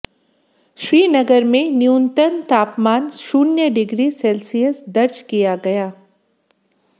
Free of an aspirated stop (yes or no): yes